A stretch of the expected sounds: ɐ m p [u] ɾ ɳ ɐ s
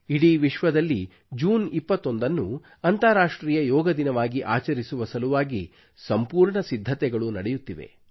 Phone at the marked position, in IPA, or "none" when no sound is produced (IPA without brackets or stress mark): uː